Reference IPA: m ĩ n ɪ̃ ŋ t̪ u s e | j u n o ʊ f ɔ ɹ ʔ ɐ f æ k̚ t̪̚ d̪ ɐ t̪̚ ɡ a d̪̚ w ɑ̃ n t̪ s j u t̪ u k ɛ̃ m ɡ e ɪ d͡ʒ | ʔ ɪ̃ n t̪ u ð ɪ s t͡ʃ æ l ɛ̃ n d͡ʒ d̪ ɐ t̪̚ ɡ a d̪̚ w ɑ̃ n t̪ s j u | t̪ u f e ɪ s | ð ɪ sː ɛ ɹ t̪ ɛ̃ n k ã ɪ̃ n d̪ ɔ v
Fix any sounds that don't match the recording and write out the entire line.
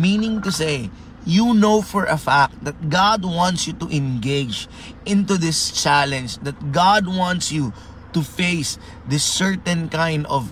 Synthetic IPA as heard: m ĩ n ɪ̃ ŋ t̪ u s e | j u n o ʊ f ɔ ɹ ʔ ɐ f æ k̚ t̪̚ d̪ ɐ t̪̚ ɡ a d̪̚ w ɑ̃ n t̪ s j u t̪ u ʔ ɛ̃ n ɡ e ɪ d͡ʒ | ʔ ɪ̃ n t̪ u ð ɪ s t͡ʃ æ l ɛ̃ n d͡ʒ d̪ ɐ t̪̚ ɡ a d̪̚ w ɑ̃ n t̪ s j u | t̪ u f e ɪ s | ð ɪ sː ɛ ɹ t̪ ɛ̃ n k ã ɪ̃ n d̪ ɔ v